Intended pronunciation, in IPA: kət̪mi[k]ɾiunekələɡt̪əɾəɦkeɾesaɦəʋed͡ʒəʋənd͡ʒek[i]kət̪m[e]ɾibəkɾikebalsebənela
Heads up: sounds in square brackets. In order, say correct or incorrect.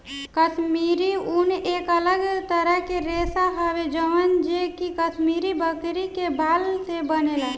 incorrect: none, correct, incorrect: i

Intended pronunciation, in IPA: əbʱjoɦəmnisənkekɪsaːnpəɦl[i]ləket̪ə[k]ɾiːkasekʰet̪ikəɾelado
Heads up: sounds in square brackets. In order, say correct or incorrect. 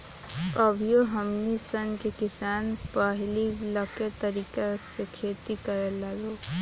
correct, incorrect: none

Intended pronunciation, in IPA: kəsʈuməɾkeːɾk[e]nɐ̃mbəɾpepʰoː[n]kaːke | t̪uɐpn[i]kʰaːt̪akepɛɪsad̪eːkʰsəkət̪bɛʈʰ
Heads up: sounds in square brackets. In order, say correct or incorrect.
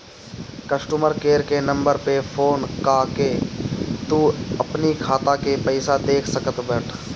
correct, correct, correct

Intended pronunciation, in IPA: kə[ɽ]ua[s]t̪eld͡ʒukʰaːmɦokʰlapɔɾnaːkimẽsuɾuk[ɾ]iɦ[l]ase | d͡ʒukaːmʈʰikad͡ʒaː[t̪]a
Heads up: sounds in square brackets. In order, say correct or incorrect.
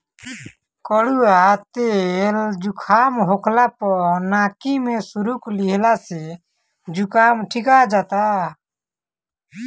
correct, incorrect: none, incorrect: l, correct, correct

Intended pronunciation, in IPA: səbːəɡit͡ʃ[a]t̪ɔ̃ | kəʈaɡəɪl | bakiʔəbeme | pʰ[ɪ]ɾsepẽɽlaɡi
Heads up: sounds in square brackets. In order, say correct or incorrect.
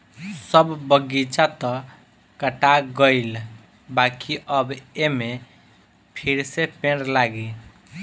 correct, incorrect: i

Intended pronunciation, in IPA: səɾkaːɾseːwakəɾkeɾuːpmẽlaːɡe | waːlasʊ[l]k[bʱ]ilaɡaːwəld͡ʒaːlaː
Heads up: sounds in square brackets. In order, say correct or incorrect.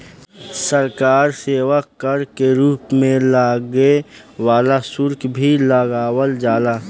incorrect: ɾ, correct

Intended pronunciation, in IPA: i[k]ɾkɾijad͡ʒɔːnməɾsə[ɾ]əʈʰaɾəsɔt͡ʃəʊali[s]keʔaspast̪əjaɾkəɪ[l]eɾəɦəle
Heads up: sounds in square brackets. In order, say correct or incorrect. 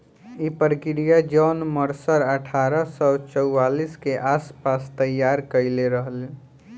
incorrect: p, correct, correct, correct

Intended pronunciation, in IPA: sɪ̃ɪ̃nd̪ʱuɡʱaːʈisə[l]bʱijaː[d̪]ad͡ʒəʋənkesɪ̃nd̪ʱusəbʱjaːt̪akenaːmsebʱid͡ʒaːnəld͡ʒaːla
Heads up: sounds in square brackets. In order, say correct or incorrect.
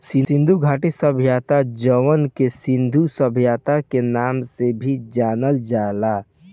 incorrect: none, incorrect: t̪

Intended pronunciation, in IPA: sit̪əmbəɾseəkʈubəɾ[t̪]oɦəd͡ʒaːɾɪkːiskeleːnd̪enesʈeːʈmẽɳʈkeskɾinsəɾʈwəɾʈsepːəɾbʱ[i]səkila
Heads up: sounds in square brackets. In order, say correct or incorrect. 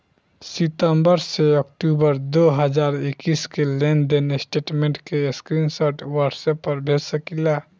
incorrect: d̪, incorrect: e

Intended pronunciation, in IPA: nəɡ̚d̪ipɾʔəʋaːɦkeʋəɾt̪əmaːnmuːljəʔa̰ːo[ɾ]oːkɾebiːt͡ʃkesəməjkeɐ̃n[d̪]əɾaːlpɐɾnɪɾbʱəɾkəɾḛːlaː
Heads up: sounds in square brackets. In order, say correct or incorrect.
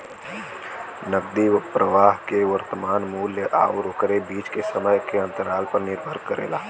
correct, incorrect: t̪

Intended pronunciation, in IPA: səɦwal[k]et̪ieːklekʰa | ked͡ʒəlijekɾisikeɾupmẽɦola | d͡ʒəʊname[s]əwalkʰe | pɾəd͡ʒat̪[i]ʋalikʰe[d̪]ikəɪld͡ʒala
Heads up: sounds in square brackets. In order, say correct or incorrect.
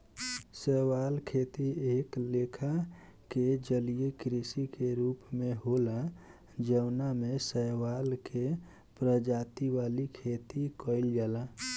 incorrect: kʰ, correct, correct, incorrect: t̪

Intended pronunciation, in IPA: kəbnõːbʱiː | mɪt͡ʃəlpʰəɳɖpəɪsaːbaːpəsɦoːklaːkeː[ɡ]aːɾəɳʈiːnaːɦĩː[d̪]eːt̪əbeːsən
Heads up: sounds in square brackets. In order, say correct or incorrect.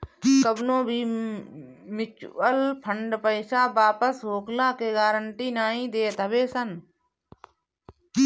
correct, correct

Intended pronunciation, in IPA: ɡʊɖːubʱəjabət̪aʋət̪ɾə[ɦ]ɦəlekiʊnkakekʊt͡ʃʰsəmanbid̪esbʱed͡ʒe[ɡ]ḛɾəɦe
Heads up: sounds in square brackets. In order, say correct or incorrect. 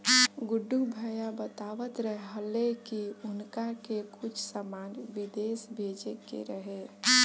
correct, incorrect: k

